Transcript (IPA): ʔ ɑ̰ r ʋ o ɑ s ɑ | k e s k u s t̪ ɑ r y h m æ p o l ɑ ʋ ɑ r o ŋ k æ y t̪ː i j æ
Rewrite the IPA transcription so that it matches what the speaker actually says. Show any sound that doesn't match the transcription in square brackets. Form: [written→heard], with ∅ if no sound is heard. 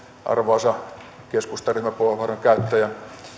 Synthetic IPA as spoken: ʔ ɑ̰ r ʋ o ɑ s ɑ | k e s k u s t̪ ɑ r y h m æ p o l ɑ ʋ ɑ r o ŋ k æ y t̪ː [i→æ] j æ